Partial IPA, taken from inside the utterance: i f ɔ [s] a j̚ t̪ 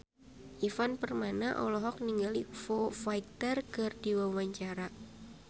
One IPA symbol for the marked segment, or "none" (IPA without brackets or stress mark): f